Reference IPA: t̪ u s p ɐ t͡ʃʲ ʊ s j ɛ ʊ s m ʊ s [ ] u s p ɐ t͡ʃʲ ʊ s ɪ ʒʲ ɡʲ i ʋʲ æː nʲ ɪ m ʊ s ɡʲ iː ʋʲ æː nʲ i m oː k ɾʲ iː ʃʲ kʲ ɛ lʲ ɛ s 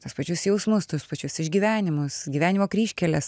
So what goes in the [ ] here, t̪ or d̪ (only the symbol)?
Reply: t̪